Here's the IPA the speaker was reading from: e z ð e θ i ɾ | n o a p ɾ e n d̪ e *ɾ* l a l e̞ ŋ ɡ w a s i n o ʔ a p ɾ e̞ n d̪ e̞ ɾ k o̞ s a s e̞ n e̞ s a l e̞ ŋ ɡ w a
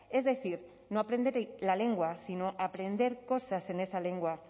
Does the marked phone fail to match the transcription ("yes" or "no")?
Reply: no